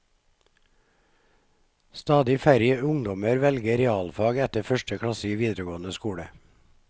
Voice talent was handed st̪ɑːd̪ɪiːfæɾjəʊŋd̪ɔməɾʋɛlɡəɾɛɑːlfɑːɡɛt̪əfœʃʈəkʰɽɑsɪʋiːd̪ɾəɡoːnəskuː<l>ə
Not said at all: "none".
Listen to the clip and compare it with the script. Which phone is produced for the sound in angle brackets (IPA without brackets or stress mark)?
ɽ